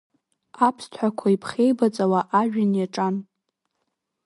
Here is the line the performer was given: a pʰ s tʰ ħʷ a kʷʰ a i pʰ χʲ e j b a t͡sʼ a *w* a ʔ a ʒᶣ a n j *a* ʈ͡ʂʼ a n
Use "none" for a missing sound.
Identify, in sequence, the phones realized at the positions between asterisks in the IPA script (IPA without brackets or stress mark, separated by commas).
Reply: w, a